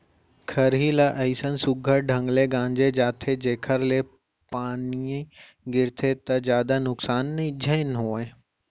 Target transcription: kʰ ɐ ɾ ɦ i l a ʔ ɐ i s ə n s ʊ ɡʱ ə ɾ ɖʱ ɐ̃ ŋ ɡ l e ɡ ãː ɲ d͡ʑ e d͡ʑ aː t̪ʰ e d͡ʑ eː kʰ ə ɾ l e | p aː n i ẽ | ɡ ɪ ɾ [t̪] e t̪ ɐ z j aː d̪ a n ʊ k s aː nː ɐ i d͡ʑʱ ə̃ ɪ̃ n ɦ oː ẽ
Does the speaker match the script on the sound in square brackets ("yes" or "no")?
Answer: no